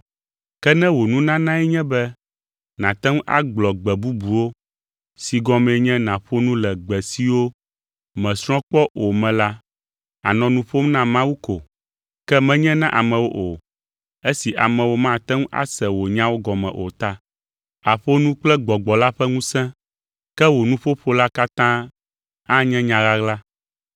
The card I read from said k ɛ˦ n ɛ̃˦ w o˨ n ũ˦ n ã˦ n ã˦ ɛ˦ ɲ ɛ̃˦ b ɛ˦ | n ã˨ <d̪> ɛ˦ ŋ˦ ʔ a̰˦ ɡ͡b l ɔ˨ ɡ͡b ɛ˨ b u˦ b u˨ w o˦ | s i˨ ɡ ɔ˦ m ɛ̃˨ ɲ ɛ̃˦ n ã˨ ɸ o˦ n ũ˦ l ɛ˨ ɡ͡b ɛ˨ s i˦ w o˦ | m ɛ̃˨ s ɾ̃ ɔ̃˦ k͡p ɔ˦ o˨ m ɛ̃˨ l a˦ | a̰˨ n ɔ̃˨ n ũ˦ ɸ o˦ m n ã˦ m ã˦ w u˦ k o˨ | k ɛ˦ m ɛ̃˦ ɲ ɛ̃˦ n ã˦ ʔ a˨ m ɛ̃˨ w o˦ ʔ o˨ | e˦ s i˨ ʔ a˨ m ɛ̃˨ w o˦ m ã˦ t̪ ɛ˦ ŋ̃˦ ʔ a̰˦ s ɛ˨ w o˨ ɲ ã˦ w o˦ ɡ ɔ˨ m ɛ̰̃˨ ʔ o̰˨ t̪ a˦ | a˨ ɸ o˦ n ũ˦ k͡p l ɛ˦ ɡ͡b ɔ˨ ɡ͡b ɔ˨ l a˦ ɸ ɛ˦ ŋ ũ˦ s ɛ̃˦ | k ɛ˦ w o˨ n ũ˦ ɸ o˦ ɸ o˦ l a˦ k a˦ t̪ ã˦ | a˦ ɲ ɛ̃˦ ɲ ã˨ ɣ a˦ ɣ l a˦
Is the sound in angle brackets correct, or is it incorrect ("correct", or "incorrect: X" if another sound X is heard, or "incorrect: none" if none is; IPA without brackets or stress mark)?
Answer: incorrect: t̪